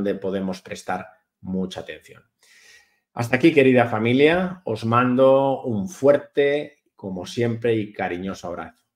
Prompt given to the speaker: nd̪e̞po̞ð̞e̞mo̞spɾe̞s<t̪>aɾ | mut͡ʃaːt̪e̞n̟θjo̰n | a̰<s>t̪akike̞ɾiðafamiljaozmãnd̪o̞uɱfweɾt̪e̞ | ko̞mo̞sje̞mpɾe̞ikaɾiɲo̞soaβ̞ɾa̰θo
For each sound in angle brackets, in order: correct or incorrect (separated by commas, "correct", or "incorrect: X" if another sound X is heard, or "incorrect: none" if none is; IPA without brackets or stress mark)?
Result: correct, correct